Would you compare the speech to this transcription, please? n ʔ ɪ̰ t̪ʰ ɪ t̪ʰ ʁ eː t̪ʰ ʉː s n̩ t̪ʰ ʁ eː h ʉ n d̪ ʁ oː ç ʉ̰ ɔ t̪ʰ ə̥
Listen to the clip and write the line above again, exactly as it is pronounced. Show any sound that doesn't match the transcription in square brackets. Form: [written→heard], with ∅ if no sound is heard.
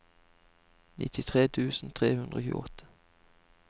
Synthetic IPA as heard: n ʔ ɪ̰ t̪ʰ ɪ t̪ʰ ʁ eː t̪ʰ ʉː s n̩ t̪ʰ ʁ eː h ʉ n d̪ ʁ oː ç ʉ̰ ɔ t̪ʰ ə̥